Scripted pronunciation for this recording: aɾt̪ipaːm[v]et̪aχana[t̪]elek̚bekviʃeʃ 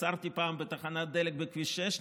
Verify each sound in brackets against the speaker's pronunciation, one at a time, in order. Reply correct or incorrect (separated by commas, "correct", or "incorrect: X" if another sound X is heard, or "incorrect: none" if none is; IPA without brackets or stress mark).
incorrect: b, incorrect: d̪